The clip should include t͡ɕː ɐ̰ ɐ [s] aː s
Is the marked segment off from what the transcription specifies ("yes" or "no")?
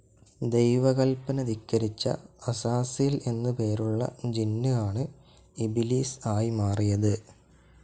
no